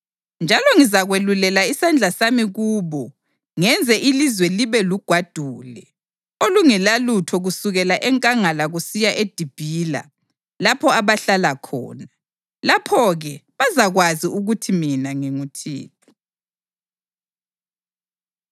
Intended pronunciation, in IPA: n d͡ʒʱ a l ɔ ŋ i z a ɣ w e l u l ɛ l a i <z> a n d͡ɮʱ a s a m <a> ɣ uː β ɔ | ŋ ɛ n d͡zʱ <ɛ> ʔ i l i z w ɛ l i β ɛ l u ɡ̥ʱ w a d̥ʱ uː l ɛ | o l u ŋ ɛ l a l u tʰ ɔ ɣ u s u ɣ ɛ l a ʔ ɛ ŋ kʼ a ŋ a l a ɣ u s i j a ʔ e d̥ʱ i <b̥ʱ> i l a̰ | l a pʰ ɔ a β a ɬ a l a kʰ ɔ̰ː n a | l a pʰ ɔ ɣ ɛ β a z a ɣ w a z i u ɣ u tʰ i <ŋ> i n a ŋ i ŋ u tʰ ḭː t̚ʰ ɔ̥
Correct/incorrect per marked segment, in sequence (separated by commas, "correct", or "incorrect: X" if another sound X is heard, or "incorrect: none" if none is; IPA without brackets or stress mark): incorrect: s, incorrect: i, correct, correct, incorrect: m